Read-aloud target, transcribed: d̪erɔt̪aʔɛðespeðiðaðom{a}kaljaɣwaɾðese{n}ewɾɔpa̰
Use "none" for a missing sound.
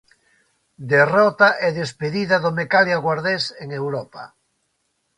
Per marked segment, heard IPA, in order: e, ŋ

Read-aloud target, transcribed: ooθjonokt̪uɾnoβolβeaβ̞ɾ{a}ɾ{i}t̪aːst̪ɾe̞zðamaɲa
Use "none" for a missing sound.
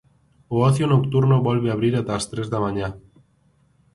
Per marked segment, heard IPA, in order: i, a

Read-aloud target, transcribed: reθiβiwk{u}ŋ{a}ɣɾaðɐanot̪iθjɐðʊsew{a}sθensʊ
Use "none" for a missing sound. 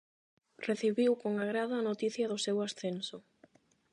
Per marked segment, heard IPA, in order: o, a, a

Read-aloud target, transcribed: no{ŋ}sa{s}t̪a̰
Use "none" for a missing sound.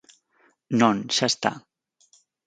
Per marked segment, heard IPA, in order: n, s

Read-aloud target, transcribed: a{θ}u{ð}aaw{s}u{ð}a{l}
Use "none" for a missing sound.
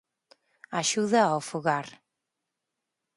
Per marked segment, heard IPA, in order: ʃ, ð, f, ɣ, ɾ

